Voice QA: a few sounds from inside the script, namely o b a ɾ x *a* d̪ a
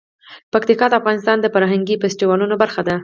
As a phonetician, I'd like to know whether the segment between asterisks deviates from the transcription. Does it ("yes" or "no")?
no